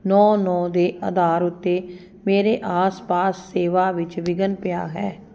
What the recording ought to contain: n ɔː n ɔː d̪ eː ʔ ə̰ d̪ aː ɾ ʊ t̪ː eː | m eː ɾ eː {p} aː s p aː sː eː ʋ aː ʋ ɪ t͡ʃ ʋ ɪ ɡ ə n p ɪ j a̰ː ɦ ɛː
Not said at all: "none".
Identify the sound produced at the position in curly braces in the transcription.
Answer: ʔ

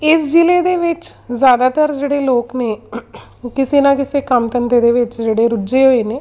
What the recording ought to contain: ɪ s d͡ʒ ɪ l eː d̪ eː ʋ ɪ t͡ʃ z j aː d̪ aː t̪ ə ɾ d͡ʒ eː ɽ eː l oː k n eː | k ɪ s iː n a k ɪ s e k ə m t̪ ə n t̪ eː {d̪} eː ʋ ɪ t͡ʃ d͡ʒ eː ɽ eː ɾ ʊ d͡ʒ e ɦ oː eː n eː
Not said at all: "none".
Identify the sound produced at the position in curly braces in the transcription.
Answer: d̪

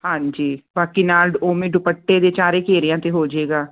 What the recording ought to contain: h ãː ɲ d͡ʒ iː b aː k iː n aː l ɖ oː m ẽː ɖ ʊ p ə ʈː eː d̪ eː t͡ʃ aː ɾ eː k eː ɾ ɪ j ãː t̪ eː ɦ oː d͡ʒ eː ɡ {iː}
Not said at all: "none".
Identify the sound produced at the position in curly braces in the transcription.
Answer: aː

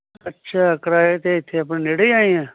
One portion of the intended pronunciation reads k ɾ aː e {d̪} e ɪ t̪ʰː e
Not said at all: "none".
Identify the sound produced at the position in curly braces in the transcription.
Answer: t̪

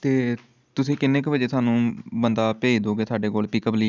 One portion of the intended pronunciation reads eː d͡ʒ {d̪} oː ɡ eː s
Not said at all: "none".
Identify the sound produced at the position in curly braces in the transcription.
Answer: d̪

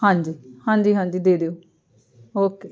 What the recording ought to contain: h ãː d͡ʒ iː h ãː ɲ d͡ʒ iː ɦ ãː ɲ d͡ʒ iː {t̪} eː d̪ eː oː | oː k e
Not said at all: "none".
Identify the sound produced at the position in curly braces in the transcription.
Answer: d̪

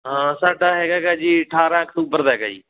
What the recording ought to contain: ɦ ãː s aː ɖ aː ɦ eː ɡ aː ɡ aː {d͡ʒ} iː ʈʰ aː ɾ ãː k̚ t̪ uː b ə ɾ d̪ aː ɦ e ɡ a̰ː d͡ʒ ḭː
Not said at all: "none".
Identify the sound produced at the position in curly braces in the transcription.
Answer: d͡ʒ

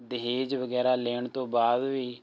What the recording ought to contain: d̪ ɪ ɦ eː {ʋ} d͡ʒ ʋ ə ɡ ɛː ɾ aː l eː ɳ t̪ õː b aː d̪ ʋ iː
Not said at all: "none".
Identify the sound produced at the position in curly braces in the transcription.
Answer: none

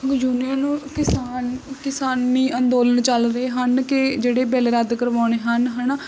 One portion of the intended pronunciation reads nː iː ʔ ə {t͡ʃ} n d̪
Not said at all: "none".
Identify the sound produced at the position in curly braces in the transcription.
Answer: none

